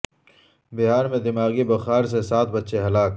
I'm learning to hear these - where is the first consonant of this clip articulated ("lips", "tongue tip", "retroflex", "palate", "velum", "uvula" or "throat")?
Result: lips